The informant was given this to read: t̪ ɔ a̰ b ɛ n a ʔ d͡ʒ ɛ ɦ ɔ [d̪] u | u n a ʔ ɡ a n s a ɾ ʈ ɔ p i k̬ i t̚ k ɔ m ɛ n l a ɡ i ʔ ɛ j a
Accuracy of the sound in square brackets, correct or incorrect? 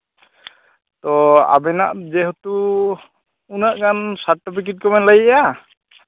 incorrect